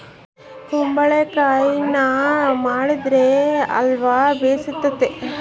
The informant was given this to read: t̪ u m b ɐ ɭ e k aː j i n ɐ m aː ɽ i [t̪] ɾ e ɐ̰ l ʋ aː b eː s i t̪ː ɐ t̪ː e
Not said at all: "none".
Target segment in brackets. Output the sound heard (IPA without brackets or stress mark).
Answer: d̪